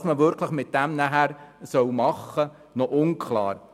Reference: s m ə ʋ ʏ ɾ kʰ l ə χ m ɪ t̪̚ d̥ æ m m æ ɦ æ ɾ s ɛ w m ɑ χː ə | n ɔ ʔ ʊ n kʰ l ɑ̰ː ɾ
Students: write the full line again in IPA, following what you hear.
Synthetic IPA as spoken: s m ə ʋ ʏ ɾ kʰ l ə χ m ɪ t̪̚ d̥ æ m n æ ɦ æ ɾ s œ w m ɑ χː ə | n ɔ ʔ ʊ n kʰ l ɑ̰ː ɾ